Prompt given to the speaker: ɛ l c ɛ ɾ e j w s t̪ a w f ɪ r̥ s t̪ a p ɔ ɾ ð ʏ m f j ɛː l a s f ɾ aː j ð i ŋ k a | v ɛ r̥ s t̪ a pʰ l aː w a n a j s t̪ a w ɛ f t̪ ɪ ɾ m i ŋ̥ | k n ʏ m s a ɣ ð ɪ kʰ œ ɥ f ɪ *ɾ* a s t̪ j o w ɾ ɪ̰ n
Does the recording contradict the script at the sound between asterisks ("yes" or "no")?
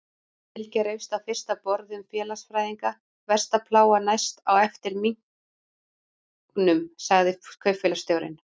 yes